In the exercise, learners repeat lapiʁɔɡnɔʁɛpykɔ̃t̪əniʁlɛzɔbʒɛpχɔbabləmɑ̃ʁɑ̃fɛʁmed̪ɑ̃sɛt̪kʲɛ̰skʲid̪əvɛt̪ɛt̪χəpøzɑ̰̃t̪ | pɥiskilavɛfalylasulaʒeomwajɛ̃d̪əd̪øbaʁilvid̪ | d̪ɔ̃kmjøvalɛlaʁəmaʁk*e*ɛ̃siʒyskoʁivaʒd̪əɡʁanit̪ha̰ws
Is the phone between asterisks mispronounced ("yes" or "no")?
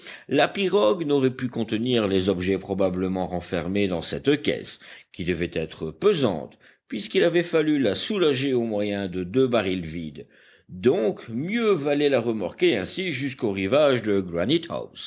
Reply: no